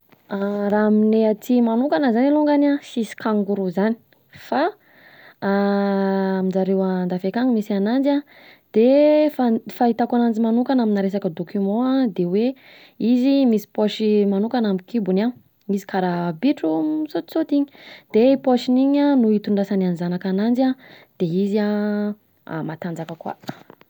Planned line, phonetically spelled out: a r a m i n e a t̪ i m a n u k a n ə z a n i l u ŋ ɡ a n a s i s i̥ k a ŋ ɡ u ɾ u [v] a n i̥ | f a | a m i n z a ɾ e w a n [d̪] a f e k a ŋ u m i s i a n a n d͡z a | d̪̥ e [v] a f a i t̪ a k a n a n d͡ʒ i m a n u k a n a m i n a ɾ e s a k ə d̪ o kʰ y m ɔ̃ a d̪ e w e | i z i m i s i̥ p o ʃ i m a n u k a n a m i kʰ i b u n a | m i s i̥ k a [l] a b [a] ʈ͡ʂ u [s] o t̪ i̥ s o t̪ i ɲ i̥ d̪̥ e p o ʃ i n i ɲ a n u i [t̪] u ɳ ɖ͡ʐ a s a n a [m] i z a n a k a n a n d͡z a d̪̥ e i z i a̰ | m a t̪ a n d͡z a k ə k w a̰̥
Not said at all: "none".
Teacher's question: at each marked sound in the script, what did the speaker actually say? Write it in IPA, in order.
z, d̪, f, ɾ, i, s, t̪, n

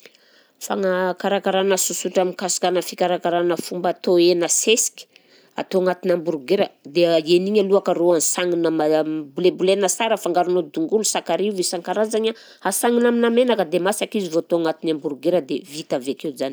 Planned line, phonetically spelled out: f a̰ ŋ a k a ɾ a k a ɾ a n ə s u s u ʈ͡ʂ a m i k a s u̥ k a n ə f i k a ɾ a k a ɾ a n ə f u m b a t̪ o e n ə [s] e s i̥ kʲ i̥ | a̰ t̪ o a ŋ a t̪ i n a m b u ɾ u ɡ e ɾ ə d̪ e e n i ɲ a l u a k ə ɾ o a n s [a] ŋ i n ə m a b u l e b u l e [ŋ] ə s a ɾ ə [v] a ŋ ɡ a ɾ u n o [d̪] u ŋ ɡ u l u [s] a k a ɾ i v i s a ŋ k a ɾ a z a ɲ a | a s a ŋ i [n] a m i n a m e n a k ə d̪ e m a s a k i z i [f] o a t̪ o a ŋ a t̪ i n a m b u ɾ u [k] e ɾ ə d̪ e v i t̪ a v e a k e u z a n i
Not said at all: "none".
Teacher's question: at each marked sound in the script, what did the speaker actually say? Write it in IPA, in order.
s, a, n, f, d̪, s, n, v, ɡ

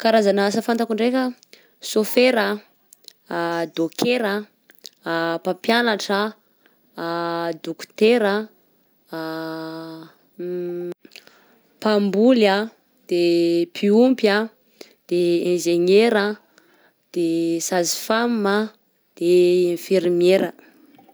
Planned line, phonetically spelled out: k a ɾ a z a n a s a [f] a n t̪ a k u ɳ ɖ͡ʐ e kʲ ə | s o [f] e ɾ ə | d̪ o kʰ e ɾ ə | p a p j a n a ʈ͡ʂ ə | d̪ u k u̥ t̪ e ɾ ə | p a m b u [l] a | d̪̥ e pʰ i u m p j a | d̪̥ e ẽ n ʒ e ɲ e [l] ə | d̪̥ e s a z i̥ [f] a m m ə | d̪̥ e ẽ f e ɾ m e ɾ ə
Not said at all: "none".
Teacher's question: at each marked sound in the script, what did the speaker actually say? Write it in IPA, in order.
f, f, l, ɾ, f

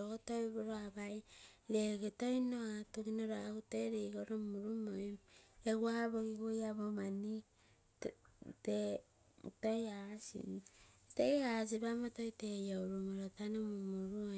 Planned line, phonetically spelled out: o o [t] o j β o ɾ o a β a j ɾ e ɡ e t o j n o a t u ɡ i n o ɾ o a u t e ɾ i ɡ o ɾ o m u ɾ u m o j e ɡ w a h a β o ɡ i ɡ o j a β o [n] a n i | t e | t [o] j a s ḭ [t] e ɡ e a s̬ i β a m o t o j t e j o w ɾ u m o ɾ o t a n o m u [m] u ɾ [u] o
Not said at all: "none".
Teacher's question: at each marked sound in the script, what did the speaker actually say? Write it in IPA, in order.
t, m, o, t, m, u

